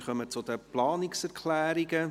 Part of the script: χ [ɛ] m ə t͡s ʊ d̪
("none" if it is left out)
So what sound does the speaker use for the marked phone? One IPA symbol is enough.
œ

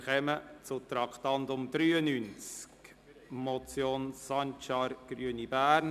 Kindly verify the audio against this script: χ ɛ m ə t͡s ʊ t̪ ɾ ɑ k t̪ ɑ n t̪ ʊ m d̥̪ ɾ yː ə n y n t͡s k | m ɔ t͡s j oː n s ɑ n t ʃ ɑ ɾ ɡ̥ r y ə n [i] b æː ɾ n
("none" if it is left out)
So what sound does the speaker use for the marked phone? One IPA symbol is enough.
i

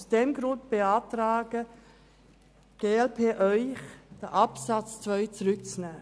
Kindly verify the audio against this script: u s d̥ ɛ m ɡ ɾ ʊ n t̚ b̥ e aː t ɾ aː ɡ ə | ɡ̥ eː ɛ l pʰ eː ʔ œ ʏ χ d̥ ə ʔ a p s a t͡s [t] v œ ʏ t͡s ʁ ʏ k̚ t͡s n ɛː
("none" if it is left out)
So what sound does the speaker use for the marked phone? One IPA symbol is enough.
t͡s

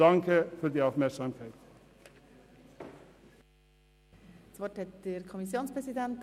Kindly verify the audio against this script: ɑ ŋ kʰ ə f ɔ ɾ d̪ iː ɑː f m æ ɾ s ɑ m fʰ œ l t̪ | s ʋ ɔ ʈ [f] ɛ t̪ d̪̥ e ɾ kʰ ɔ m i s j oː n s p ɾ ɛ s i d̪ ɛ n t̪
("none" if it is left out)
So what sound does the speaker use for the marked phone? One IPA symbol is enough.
h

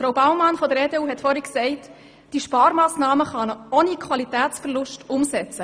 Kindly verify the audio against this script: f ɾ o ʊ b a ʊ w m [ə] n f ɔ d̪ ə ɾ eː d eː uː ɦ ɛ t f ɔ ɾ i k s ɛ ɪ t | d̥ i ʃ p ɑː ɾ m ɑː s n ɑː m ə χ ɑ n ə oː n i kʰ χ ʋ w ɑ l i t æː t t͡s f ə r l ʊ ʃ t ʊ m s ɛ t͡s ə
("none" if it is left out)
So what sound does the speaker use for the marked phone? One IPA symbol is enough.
ɑ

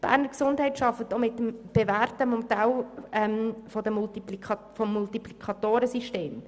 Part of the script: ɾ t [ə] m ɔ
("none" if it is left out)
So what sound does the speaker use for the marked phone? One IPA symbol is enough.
ə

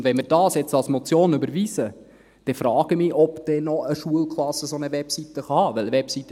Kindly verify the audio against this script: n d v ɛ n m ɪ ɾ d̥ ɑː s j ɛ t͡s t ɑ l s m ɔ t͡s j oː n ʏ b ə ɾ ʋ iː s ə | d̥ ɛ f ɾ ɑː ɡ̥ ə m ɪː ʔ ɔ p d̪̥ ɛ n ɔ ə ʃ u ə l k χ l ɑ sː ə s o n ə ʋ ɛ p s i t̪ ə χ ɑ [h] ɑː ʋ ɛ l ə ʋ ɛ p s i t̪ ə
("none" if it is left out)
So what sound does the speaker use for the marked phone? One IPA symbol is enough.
h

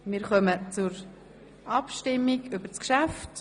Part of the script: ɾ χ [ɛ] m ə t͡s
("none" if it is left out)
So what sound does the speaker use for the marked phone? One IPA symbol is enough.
œ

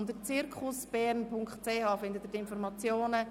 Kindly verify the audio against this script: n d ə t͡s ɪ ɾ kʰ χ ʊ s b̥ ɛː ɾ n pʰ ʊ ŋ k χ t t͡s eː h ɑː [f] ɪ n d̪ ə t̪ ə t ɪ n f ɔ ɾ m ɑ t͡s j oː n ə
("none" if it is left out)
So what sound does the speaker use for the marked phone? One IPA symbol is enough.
f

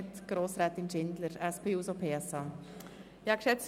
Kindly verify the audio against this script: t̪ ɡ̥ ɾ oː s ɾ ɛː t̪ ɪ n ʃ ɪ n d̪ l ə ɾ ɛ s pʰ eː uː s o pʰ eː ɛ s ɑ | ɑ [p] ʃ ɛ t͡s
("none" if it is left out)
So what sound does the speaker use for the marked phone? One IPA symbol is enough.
k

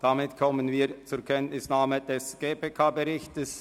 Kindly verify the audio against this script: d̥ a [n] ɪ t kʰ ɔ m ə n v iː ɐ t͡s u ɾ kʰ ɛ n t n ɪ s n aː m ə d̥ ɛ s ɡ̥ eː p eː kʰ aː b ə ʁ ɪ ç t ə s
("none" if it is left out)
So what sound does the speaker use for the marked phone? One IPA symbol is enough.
m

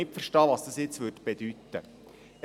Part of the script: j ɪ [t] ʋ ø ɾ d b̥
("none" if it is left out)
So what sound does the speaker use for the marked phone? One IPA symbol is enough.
t͡s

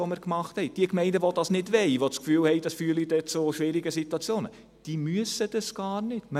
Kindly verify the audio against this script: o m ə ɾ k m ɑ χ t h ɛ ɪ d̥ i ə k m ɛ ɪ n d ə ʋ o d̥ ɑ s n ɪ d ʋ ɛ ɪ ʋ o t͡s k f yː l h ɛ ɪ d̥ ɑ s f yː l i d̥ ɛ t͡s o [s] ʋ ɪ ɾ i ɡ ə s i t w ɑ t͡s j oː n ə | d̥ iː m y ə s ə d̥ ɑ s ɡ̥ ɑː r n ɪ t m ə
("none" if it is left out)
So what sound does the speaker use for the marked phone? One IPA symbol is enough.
ʃ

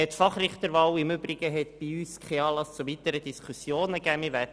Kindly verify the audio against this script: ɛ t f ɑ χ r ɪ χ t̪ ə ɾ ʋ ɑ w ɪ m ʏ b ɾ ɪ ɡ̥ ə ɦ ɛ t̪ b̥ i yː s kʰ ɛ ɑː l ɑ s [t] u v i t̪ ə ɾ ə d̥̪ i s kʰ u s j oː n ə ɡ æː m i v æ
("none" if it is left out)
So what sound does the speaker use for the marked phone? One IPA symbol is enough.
t͡s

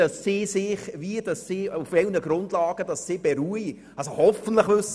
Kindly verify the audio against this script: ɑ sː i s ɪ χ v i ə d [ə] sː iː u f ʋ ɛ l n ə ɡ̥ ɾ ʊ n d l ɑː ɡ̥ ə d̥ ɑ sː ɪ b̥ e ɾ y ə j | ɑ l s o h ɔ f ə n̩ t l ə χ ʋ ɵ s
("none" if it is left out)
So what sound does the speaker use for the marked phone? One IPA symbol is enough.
ɑ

